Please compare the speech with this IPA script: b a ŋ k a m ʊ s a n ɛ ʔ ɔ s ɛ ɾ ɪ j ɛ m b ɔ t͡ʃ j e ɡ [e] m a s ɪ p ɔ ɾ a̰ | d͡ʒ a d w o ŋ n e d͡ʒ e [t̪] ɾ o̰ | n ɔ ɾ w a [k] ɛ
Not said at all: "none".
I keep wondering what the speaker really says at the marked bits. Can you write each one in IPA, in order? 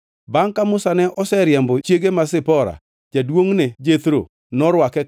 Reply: e, t̪, k

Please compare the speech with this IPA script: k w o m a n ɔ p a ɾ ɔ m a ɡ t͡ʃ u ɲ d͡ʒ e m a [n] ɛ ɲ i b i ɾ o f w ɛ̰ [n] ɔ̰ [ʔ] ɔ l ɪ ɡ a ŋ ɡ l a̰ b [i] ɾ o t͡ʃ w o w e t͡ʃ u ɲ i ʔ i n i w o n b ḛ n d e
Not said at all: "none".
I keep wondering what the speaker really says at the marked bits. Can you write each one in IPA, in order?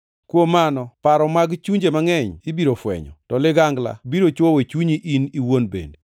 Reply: ŋ, ɲ, t, i

